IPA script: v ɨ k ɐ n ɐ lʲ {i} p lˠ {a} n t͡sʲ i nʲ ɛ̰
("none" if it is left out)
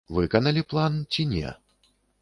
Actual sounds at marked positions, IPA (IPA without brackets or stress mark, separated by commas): i, a